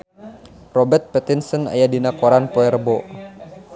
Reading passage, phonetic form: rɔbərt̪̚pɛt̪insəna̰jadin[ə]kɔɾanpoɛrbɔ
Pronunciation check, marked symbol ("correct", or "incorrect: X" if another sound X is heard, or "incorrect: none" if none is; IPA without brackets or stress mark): incorrect: a